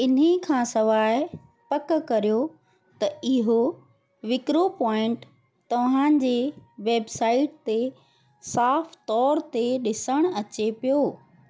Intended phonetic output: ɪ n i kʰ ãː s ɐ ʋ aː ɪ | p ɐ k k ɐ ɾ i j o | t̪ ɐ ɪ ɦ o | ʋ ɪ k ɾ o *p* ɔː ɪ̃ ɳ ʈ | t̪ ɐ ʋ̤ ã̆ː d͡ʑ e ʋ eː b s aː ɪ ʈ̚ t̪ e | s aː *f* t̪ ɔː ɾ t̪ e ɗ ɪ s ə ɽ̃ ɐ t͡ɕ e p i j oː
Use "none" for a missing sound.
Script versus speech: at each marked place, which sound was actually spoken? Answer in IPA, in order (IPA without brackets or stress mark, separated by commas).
p, f